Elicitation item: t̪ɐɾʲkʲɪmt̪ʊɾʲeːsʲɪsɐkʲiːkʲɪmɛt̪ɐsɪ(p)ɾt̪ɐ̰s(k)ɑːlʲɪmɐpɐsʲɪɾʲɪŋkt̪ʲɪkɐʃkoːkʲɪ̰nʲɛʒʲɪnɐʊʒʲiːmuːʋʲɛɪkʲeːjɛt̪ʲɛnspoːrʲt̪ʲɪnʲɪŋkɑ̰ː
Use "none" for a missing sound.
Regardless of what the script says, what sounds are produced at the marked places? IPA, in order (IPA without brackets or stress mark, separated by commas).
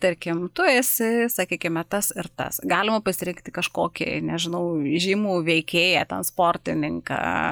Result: none, ɡ